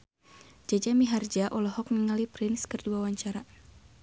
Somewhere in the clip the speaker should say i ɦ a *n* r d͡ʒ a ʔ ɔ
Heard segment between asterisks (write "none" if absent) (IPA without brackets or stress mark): none